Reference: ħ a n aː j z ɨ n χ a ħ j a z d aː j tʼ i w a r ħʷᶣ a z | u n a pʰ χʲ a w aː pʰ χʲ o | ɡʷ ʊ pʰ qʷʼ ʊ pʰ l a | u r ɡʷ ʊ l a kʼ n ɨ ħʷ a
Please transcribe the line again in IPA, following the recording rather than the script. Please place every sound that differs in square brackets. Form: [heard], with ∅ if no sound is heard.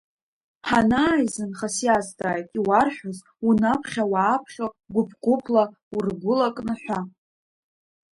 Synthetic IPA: ħ a n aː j z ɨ n χ a [s] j a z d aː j tʼ i w a r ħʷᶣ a z | u n a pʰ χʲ a w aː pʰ χʲ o | ɡʷ ʊ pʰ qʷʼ ʊ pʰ l a | u r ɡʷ ʊ l a kʼ n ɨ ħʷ a